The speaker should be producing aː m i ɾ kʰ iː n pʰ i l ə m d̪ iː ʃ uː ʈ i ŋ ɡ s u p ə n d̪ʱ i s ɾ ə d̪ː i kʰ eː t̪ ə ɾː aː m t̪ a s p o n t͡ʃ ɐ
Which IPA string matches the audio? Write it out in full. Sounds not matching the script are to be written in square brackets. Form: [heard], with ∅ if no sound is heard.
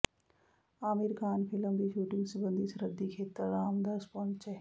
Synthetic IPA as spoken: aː m i ɾ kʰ [aː] n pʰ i l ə m d̪ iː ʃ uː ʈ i ŋ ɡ s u [b] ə n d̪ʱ i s ɾ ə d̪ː i kʰ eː t̪ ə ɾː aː m [d̪] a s p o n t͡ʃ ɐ